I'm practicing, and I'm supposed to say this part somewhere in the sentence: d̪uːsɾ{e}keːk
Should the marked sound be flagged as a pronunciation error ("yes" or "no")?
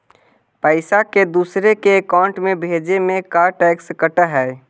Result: no